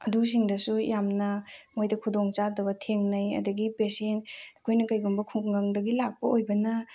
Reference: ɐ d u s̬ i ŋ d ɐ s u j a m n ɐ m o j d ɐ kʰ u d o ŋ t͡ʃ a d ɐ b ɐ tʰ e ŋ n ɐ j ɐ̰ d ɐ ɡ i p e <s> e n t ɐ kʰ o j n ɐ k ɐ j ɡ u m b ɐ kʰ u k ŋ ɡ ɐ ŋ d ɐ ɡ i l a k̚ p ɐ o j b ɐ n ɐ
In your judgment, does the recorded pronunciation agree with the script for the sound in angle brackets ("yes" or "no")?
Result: yes